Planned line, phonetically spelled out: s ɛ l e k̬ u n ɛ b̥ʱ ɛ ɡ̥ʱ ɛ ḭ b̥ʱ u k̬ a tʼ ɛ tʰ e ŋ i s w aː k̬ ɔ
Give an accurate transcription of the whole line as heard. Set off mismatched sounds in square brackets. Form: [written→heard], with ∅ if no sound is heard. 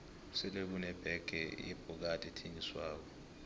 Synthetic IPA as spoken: s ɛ l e k̬ u n ɛ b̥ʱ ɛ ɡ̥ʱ ɛ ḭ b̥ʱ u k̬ a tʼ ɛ tʰ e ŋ i s w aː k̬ ɔ